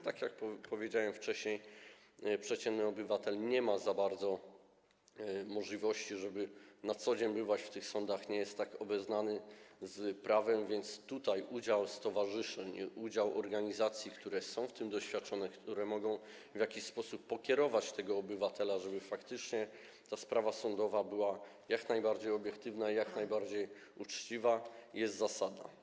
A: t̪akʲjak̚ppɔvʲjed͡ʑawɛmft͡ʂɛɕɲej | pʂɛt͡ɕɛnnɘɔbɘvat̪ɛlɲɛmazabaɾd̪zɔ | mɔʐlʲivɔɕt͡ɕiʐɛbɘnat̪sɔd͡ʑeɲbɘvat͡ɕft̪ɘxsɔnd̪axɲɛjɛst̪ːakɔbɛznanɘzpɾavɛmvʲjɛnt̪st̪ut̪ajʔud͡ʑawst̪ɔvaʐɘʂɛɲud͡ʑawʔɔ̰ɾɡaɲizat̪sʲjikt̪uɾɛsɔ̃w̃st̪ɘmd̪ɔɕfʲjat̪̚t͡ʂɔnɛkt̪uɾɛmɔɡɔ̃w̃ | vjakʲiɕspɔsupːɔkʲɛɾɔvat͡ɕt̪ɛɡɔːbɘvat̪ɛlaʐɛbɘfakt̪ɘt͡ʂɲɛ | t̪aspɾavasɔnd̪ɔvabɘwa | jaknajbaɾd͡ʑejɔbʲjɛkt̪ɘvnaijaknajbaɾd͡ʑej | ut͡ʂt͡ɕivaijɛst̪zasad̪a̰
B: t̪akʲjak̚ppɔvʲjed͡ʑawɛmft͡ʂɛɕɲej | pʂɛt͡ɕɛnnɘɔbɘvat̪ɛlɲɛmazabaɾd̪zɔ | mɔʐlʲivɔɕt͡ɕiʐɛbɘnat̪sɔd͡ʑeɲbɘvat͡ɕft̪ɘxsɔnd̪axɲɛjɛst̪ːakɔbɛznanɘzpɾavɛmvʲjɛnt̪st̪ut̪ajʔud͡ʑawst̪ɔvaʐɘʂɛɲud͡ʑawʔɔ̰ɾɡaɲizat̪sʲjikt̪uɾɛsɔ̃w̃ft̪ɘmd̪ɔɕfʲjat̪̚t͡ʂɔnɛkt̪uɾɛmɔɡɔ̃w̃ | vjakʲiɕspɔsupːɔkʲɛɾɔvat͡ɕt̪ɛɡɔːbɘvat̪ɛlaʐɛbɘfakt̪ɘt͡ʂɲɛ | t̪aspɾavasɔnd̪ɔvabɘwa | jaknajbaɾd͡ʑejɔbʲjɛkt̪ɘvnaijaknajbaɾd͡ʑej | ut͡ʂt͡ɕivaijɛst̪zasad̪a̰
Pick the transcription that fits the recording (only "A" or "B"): B